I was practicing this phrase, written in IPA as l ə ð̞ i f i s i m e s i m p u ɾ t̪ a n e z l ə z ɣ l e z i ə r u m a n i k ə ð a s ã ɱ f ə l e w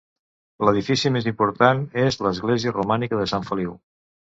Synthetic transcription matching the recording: l ə ð̞ i f i s i m e z i m p u ɾ t̪ a n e z l ə z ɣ l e z i ə r u m a n i k ə ð ə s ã ɱ f ə l i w

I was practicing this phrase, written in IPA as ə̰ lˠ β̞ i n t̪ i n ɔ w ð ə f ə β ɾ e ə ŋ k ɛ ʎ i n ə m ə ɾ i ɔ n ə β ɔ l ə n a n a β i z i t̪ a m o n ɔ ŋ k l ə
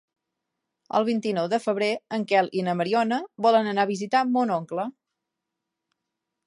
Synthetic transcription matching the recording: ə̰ lˠ β̞ i n t̪ i n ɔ w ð ə f ə β ɾ e ə ŋ k ɛ l i n ə m ə ɾ i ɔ n ə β ɔ l ə n ə n a β i z i t̪ a m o n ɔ ŋ k l ə

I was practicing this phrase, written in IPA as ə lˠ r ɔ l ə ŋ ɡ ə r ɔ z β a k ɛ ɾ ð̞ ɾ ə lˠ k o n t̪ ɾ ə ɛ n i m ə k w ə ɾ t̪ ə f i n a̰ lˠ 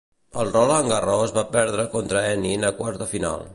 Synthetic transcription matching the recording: ə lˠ r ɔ l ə ŋ ɡ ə r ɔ z β a p ɛ ɾ ð̞ ɾ ə k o n t̪ ɾ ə ɛ n i n ə k w a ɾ t̪ ə f i n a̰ lˠ

